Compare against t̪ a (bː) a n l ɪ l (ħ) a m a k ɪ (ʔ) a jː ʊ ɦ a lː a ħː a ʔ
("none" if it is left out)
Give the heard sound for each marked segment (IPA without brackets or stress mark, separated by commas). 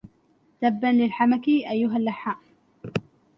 bː, ħ, ʔ